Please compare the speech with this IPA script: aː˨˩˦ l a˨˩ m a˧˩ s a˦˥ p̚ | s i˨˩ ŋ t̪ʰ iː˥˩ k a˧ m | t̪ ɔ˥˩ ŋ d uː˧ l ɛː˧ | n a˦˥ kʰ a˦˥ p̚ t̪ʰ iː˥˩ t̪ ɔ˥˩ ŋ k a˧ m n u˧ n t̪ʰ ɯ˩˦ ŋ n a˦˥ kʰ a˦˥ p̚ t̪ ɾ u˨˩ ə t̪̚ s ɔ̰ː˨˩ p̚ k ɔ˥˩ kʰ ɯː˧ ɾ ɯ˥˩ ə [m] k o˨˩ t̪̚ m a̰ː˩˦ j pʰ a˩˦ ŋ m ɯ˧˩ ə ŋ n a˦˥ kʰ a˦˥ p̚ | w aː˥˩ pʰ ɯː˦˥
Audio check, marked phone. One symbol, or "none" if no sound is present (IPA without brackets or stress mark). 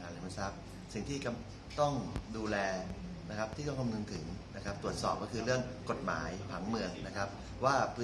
ŋ